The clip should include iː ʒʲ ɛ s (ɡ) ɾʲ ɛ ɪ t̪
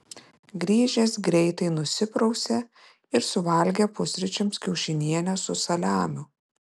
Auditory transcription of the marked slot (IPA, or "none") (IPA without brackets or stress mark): ɡ